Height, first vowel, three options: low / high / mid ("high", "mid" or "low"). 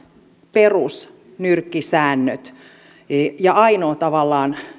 mid